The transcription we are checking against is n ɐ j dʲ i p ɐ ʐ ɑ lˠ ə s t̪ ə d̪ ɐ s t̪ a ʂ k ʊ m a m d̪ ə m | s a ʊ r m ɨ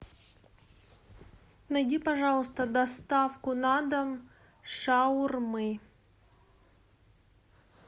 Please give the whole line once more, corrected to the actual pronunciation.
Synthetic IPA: n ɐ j dʲ i p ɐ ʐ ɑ lˠ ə s t̪ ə d̪ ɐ s t̪ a f k ʊ n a d̪ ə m | ʂ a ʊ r m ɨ